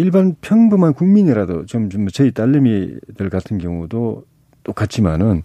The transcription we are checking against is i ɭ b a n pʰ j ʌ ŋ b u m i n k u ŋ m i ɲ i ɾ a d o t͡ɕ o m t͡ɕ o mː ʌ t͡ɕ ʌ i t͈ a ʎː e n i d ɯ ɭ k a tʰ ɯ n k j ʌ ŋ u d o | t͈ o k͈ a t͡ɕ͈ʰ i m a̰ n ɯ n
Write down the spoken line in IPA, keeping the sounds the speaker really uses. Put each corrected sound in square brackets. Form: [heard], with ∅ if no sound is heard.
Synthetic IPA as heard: i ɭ b a n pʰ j ʌ ŋ b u m [a] n k u ŋ m i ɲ i ɾ a d o t͡ɕ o m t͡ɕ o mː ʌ t͡ɕ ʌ i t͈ a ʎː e [m] i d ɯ ɭ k a tʰ ɯ n k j ʌ ŋ u d o | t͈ o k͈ a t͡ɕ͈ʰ i m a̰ n ɯ n